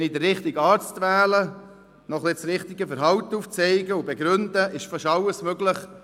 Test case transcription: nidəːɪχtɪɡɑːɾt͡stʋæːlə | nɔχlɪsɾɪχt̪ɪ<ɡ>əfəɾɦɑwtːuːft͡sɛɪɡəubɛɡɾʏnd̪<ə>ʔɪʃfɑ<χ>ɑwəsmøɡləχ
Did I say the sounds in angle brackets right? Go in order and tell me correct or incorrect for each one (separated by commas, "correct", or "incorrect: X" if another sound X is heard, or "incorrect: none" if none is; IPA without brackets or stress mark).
correct, correct, incorrect: ʃ